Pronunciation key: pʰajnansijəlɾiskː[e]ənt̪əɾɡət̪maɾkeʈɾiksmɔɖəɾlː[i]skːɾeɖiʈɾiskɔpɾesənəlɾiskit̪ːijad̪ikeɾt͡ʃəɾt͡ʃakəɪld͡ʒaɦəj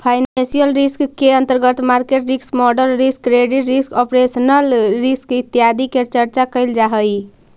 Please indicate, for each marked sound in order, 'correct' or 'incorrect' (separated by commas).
correct, correct